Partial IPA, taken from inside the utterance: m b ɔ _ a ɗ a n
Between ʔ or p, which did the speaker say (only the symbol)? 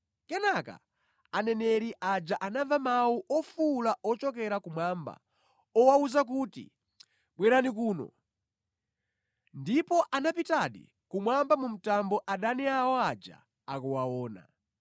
ʔ